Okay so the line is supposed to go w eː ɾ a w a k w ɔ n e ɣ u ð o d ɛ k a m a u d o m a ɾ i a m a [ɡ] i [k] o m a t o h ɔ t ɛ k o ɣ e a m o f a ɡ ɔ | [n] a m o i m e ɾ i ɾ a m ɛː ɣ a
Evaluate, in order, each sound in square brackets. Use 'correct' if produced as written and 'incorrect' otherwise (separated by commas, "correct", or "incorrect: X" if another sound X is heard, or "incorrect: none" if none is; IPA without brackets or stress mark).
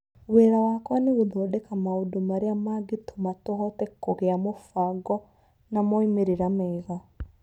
correct, incorrect: t, correct